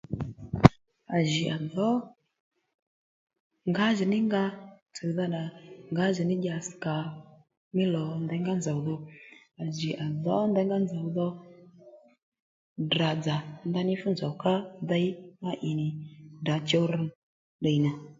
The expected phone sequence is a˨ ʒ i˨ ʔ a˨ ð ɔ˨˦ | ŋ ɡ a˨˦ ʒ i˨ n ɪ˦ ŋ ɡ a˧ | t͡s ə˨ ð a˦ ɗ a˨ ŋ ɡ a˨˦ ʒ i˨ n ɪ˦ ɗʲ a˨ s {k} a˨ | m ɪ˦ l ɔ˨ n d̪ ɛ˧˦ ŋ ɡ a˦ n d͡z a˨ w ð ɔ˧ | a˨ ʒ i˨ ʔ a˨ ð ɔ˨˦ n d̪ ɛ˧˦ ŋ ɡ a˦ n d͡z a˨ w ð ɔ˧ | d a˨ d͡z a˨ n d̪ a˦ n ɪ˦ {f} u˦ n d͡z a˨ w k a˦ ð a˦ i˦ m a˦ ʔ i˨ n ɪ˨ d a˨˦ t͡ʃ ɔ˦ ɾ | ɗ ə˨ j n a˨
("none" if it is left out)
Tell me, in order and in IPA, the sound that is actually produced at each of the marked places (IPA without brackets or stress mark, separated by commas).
k, f